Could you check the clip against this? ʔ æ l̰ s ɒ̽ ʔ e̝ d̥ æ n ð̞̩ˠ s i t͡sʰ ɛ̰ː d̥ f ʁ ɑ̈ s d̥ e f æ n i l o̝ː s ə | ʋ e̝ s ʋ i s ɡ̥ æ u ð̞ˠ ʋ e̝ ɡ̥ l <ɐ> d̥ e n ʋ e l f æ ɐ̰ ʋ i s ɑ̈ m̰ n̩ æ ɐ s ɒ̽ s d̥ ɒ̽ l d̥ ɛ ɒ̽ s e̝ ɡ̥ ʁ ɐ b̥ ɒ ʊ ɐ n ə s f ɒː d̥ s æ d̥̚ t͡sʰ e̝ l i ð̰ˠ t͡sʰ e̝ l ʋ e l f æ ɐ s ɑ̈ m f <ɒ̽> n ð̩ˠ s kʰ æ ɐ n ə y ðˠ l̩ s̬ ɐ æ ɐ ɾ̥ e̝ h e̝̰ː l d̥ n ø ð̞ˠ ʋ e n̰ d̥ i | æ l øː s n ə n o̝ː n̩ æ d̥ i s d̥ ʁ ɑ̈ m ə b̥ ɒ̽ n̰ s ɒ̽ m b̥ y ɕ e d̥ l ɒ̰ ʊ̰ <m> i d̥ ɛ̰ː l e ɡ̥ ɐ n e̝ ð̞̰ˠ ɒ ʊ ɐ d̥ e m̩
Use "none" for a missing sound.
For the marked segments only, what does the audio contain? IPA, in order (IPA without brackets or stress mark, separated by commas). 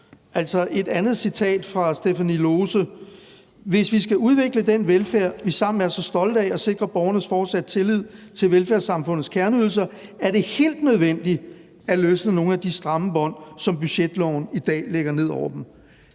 ə, ɔ̽, n